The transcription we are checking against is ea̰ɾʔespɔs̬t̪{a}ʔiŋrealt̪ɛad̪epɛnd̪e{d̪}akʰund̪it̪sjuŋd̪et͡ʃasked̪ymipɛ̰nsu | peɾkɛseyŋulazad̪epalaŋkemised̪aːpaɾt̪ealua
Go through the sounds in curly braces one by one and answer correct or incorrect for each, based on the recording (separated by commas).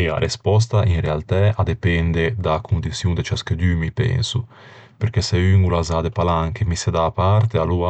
correct, correct